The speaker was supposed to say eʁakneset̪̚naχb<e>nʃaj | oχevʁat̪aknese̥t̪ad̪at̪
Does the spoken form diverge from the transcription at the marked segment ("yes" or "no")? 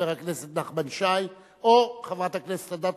yes